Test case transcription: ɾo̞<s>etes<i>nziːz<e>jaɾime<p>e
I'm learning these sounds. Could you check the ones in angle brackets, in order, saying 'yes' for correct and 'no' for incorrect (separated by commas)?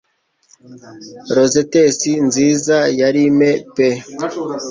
no, yes, no, yes